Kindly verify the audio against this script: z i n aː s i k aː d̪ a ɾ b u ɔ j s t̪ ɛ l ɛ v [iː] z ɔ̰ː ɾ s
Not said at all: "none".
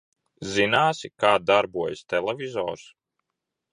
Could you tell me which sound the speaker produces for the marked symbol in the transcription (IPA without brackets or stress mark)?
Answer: i